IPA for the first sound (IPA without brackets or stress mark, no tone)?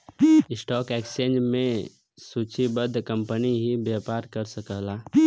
ɪ